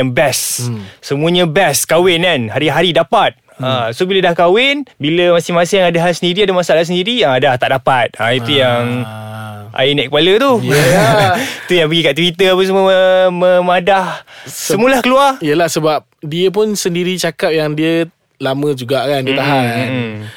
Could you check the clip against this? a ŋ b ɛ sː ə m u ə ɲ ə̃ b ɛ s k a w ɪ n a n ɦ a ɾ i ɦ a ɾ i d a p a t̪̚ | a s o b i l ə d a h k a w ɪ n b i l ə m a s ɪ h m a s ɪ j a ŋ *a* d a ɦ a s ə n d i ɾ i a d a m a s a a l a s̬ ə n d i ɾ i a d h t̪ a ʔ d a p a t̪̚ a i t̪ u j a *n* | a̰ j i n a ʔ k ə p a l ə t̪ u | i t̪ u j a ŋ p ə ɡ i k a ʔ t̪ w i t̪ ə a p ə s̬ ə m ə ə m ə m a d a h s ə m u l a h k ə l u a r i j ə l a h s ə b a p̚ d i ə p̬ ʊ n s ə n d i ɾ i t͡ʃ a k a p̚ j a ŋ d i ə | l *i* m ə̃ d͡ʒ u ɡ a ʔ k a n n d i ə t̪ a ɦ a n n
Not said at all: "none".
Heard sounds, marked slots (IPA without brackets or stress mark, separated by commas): a, ŋ, a